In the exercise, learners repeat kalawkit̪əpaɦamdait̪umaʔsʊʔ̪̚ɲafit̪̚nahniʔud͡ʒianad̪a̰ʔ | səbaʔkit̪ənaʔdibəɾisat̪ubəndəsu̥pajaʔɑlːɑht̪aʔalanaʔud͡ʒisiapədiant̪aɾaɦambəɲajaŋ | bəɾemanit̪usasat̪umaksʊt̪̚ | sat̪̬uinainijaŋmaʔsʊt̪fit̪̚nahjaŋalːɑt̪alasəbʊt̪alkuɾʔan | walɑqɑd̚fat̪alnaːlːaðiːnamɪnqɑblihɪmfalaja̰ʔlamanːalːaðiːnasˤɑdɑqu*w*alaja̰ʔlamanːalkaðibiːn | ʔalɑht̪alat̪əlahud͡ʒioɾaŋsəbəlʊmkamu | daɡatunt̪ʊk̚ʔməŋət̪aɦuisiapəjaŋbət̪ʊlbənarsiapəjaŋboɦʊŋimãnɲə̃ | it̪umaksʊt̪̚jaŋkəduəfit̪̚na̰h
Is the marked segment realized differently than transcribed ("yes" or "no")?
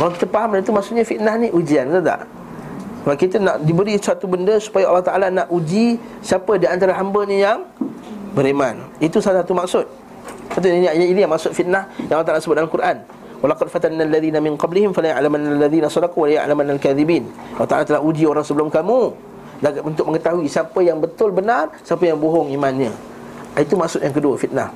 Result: no